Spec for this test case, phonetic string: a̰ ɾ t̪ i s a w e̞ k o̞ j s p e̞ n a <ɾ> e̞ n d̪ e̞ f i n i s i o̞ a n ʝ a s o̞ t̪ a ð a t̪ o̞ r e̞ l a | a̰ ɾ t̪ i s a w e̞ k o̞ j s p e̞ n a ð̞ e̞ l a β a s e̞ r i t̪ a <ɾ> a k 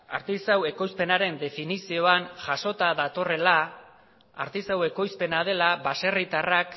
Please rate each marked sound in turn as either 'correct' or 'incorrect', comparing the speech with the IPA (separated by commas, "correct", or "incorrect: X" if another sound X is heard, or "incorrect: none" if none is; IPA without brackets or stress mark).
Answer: correct, incorrect: r